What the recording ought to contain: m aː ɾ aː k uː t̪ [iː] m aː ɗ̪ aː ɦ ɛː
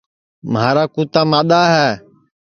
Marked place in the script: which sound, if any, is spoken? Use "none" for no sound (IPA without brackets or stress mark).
aː